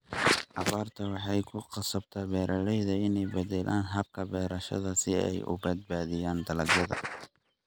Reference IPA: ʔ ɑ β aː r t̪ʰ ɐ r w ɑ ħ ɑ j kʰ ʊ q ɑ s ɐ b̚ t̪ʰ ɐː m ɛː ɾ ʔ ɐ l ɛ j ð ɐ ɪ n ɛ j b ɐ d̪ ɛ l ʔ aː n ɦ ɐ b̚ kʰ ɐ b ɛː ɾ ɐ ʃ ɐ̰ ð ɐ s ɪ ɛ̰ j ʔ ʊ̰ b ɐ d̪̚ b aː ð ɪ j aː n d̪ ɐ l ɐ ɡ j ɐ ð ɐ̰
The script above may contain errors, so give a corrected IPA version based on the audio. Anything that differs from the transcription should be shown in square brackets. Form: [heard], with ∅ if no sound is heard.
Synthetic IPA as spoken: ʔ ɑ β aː r t̪ʰ ɐ [∅] w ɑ ħ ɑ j kʰ ʊ q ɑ s ɐ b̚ t̪ʰ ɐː [b] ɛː ɾ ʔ ɐ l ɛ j ð ɐ ɪ n ɛ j b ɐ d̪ ɛ l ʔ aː n ɦ ɐ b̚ kʰ ɐ b ɛː ɾ ɐ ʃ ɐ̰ ð ɐ s ɪ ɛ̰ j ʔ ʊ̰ b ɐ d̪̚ b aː ð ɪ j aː n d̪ ɐ l ɐ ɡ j ɐ ð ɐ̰